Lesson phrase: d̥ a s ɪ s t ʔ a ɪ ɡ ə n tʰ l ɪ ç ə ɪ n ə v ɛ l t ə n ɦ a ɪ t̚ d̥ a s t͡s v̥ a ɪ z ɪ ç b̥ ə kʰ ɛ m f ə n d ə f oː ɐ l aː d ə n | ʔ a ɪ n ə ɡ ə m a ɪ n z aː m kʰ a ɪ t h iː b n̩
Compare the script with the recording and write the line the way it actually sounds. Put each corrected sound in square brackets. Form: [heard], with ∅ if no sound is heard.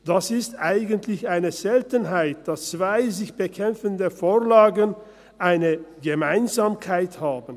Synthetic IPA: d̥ a s ɪ s t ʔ a ɪ ɡ ə n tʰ l ɪ ç [a] ɪ n ə [z] ɛ l t ə n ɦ a ɪ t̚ d̥ a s t͡s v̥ a ɪ z ɪ ç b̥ ə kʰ ɛ m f ə n d ə f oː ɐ l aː [ɡ] ə n | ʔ a ɪ n ə ɡ ə m a ɪ n z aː m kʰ a ɪ t h [aː] b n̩

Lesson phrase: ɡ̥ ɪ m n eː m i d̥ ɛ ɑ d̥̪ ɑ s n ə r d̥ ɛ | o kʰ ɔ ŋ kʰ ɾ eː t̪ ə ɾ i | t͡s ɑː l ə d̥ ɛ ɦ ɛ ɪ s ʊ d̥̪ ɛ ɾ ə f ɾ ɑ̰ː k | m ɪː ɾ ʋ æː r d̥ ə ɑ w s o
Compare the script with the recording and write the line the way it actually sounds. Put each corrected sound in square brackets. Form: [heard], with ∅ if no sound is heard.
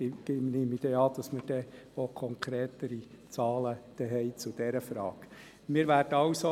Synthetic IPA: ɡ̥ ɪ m n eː m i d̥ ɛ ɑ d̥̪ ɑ s [m] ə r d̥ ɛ | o kʰ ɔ ŋ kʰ ɾ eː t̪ ə ɾ i | t͡s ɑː l ə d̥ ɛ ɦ ɛ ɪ [t͡s] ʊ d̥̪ ɛ ɾ ə f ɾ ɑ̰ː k | m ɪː ɾ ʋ æː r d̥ ə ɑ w s o

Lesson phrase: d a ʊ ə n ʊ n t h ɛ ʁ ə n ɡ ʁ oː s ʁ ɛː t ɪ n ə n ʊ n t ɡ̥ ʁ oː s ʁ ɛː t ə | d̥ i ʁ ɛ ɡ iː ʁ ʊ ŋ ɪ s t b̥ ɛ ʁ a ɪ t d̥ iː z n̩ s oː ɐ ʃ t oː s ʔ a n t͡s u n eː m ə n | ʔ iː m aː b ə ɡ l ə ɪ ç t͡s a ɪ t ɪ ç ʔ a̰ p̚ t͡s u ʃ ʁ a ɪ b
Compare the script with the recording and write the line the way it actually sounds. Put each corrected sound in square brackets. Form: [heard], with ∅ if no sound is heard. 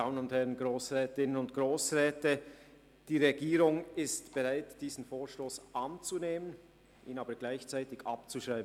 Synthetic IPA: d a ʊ ə n ʊ n t h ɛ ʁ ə n ɡ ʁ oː s ʁ ɛː t ɪ n ə n ʊ n t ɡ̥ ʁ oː s ʁ ɛː t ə | d̥ [iː] ʁ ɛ ɡ iː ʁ ʊ ŋ ɪ s t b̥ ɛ ʁ a ɪ t d̥ iː z n̩ [f] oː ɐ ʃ t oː s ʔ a n t͡s u n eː m ə n | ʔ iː [n] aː b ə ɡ l [a] ɪ ç t͡s a ɪ t ɪ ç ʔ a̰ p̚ t͡s u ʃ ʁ a ɪ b

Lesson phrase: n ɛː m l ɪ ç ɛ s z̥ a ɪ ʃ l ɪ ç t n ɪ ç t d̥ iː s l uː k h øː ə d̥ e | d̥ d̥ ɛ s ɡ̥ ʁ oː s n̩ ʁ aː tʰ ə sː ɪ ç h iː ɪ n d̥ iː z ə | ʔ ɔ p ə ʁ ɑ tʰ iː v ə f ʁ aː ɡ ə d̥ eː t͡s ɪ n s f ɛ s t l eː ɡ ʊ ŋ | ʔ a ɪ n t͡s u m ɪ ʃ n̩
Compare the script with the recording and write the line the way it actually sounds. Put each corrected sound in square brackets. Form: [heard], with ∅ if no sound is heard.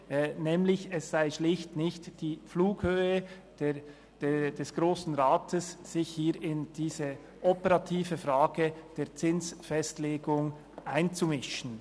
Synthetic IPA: n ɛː m l ɪ ç ɛ s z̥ a ɪ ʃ l ɪ ç t n ɪ ç t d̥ iː [f] l uː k h øː ə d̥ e | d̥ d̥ ɛ s ɡ̥ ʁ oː s n̩ ʁ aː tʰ ə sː ɪ ç h iː ɪ n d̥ iː z ə | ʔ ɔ p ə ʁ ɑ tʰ iː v ə f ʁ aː ɡ ə d̥ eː t͡s ɪ n s f ɛ s t l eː ɡ ʊ ŋ | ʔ a ɪ n t͡s u m ɪ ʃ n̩

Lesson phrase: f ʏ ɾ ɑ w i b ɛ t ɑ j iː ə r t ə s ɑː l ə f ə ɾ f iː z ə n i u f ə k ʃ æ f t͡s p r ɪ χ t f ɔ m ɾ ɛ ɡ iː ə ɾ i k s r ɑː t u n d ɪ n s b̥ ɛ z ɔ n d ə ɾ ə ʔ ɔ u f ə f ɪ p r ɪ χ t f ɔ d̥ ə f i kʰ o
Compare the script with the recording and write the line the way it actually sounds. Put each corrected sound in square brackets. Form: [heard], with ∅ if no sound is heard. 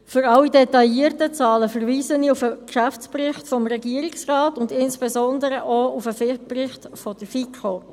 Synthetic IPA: f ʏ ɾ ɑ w i [d] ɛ t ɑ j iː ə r t ə [t͡s] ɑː l ə f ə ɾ [v] iː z ə n i u f ə k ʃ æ f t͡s p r ɪ χ t f ɔ m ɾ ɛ ɡ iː ə ɾ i k s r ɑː t [ʊ] n d ɪ n s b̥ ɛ z ɔ n d ə ɾ ə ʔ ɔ u f ə f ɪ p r ɪ χ t f ɔ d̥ ə f i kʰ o

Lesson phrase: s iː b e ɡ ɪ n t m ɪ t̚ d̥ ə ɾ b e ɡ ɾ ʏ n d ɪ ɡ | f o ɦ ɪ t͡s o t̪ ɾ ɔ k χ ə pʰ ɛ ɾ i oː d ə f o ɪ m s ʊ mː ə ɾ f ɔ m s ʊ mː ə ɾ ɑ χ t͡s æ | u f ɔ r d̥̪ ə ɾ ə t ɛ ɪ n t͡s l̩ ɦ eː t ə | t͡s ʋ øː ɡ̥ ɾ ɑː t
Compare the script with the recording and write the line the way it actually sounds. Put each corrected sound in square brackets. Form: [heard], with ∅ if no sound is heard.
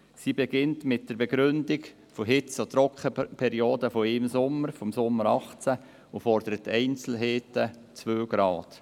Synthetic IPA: s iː b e ɡ ɪ n t m ɪ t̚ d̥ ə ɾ b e ɡ ɾ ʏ n d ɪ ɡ | f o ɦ ɪ t͡s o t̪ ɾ ɔ k χ ə pʰ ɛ ɾ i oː d ə f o ɪ m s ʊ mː ə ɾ f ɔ m s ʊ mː ə ɾ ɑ χ t͡s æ | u f ɔ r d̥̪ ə ɾ ə t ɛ ɪ n t͡s l̩ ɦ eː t ə | t͡s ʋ øː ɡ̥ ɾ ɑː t

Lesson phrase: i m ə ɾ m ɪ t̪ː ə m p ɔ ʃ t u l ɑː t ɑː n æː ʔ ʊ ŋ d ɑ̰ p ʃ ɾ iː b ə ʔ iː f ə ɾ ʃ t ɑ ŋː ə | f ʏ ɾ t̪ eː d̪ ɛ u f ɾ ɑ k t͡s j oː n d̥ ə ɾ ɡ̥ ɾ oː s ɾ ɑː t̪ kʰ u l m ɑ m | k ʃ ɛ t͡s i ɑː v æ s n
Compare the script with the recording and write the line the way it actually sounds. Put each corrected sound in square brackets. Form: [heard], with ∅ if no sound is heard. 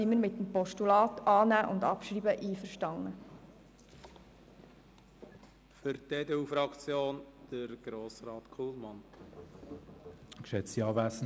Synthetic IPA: i m ə ɾ m ɪ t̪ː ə m p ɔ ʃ t u l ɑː t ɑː n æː ʔ ʊ [n] d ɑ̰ p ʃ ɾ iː b ə ʔ iː f ə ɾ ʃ t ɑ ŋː ə | f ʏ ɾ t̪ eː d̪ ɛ u f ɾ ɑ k t͡s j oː n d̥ ə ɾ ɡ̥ ɾ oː s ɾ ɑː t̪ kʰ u l m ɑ [n] | k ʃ ɛ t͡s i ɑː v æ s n

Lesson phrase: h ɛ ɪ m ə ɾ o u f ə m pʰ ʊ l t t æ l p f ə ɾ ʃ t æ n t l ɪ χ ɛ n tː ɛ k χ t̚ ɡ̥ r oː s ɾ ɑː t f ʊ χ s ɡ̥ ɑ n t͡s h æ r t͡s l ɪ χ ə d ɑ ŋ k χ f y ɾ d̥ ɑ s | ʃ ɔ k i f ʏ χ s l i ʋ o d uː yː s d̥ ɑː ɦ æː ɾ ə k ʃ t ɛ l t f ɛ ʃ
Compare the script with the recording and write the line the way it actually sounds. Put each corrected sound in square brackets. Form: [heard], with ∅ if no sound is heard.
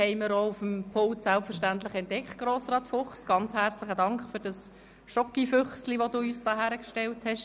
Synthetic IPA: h ɛ ɪ m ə ɾ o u f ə m pʰ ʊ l t [s] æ l p f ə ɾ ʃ t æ n t l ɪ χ ɛ n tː ɛ k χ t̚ ɡ̥ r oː s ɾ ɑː t f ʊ χ s ɡ̥ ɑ n t͡s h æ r t͡s l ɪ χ ə d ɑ ŋ k χ f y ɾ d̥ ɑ s | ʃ ɔ k i f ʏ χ s l i ʋ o d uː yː s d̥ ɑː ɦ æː ɾ ə k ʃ t ɛ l t [h] ɛ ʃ

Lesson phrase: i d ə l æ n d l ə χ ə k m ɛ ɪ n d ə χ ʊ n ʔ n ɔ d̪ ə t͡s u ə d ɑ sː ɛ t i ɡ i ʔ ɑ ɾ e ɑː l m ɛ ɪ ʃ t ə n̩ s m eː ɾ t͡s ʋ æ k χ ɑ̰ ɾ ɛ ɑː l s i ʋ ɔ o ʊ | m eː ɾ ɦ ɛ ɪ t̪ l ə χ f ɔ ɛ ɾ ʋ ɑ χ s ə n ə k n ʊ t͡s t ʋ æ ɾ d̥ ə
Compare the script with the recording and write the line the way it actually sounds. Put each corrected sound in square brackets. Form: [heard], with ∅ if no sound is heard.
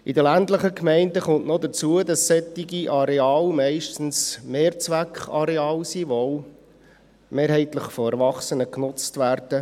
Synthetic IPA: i d ə l æ n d l ə χ ə k m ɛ ɪ n d ə χ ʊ n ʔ n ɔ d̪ ə t͡s u ə d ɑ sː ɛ t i ɡ i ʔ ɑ ɾ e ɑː l m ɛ ɪ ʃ t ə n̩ s m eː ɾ t͡s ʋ æ k χ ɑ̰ ɾ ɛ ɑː l s i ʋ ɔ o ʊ | m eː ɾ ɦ ɛ ɪ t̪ l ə χ f ɔ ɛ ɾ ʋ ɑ χ s ə n ə k n ʊ t͡s t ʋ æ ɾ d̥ ə

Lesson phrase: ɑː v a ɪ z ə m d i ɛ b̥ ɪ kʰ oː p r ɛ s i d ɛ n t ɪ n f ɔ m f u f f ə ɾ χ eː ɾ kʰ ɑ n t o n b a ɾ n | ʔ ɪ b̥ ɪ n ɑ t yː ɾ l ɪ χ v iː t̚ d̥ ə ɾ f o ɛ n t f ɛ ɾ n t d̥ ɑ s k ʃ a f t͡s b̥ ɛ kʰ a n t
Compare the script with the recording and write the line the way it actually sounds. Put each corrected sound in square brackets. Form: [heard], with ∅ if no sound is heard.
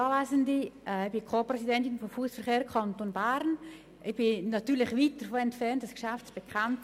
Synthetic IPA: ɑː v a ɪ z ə [n] d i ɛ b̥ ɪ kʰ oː p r ɛ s i d ɛ n t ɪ n f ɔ m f u [s] f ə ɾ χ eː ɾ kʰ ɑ n t o n b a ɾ n | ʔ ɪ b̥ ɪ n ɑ t yː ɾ l ɪ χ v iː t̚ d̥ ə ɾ f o ɛ n t f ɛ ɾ n t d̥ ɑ s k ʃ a f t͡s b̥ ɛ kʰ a n t

